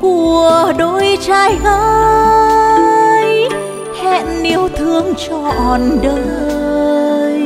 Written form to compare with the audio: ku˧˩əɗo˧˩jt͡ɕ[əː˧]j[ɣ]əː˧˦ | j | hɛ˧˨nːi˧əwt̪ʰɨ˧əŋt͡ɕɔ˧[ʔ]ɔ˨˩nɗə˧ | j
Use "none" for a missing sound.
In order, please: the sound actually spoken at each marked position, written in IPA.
aː˧, ɣ, ʔ

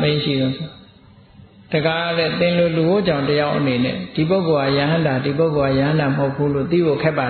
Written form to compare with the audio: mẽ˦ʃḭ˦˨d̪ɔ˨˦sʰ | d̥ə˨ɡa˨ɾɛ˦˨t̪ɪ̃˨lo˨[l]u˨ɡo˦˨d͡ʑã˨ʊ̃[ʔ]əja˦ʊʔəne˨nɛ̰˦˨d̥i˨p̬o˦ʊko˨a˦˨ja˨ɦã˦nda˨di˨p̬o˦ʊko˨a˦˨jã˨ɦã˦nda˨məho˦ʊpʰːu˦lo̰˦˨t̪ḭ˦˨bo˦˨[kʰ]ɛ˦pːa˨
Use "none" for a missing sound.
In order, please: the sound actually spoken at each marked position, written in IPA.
l, t, kʰ

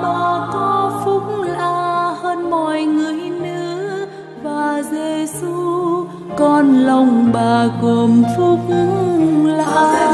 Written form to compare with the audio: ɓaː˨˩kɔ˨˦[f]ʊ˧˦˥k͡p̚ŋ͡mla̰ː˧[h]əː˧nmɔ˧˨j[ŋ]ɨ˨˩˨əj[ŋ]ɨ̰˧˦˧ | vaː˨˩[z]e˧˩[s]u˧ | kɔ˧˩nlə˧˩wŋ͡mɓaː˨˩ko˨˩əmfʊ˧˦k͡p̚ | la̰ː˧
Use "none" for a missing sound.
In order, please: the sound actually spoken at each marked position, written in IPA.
f, h, ŋ, n, z, s

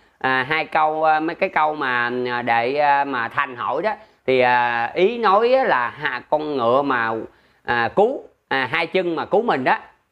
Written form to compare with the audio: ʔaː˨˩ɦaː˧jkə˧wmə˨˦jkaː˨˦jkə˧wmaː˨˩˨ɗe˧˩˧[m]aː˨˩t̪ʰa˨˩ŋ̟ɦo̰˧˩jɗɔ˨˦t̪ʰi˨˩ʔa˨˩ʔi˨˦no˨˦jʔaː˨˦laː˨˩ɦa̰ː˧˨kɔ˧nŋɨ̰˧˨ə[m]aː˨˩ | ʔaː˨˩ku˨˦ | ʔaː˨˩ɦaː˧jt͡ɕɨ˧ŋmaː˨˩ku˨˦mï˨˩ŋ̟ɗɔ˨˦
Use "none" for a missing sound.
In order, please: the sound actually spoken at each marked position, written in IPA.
m, m

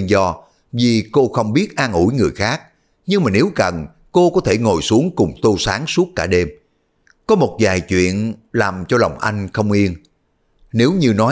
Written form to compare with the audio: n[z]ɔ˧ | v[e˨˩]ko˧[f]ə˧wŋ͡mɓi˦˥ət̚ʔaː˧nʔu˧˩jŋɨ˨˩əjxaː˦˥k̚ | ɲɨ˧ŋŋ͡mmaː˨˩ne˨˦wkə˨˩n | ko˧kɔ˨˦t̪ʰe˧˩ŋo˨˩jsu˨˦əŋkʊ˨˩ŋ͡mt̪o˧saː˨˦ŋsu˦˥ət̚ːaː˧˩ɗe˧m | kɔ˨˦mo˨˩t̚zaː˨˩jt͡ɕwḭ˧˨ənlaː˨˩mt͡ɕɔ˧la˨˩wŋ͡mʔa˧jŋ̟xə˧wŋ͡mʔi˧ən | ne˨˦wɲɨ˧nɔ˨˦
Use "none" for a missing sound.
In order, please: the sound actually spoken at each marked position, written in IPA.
z, i˨˩, x

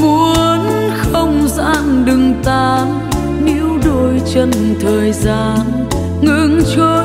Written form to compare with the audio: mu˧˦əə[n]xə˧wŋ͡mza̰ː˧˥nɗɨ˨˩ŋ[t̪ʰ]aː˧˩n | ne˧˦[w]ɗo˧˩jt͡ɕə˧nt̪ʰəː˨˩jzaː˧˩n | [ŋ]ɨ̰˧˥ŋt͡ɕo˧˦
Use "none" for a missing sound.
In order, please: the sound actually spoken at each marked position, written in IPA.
n, t̪, w, ŋ

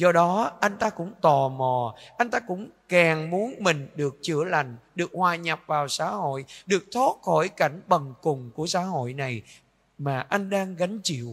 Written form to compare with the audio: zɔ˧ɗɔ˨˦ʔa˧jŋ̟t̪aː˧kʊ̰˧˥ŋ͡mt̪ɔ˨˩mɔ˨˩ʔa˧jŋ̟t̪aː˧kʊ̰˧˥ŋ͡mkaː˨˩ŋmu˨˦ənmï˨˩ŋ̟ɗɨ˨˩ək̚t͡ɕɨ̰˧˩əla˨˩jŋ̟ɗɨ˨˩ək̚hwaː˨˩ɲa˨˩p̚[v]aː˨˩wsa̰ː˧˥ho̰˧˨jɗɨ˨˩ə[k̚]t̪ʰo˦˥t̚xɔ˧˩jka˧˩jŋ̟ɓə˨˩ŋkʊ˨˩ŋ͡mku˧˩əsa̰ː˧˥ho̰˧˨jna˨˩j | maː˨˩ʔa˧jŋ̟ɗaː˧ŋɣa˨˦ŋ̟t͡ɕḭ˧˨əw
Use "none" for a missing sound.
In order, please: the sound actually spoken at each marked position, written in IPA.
v, k̚

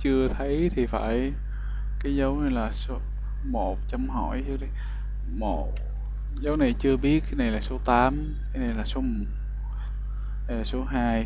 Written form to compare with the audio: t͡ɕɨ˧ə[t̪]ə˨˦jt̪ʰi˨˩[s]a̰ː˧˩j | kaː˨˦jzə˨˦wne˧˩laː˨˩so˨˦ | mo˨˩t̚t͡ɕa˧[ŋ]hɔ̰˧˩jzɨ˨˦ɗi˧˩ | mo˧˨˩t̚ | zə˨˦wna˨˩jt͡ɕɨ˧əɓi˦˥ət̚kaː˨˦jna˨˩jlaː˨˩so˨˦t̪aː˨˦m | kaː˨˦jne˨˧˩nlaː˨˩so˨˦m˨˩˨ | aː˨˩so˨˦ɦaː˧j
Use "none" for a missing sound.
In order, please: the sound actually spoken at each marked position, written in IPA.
t̪ʰ, f, m

